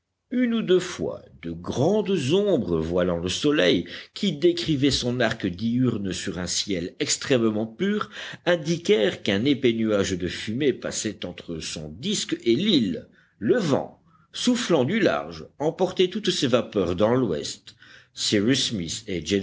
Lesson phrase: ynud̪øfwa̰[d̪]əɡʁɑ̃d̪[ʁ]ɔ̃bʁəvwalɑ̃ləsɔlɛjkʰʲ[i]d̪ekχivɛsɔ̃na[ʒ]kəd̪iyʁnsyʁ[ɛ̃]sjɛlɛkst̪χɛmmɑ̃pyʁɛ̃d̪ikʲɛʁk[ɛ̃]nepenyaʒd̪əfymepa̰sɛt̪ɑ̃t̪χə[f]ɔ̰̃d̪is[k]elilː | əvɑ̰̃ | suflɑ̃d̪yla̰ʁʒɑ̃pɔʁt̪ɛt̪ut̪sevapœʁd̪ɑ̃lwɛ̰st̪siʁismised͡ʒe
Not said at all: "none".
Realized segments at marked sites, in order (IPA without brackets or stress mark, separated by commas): d̪, z, i, ʁ, ɛ̃, ɛ̃, s, k